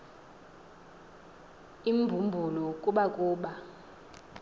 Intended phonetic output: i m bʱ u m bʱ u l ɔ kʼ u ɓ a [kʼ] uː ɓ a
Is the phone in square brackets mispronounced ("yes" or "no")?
no